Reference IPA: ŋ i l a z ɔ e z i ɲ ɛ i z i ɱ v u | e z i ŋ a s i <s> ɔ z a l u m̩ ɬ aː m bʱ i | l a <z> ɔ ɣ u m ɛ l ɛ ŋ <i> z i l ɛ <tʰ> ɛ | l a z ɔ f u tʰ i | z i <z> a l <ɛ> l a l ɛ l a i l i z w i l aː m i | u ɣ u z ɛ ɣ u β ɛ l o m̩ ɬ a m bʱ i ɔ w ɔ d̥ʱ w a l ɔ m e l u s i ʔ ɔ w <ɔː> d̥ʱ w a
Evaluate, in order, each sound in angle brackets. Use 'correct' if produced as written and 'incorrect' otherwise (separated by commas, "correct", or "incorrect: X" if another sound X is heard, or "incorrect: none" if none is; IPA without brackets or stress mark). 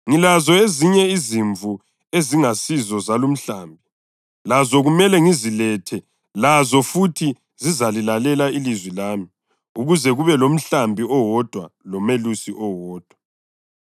incorrect: z, correct, correct, correct, correct, incorrect: i, correct